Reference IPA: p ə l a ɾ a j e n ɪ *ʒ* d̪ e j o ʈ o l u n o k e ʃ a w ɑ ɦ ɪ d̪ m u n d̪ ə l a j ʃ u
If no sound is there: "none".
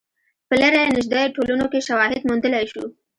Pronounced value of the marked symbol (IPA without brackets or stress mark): ʒ